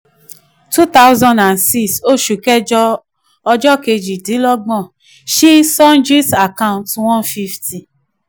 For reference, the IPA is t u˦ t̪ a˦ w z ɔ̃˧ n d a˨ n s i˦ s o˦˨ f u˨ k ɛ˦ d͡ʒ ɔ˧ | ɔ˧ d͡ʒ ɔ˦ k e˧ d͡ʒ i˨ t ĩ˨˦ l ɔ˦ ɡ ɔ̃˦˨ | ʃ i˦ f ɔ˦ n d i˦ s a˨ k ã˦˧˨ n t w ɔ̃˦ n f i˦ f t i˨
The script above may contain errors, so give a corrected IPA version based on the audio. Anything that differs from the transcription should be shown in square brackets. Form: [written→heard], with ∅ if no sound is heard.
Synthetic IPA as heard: t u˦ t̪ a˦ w z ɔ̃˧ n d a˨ n s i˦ s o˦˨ [f→ʃ] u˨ k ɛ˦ d͡ʒ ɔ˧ | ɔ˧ d͡ʒ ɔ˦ k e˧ d͡ʒ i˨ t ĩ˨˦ l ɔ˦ [ɡ→ɡ͡b] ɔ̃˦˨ | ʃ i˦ [f→s] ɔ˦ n [d→d͡ʒ] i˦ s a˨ k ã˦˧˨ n t w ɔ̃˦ n f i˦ f t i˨